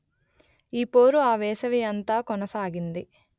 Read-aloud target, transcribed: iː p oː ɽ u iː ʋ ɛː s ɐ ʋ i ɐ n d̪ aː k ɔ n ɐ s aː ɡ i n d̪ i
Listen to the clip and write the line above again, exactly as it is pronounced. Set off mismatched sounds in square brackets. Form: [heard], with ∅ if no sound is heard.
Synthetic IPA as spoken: iː p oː [ɾ] u [aː] ʋ ɛː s ɐ ʋ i ɐ n [t̪] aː k ɔ n ɐ s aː ɡ i n d̪ i